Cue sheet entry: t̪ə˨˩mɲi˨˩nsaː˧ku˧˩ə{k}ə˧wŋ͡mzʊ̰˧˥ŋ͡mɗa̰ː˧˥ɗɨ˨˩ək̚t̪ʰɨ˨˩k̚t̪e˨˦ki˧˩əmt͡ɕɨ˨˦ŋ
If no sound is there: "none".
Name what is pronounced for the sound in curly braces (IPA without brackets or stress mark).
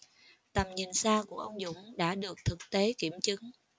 ʔ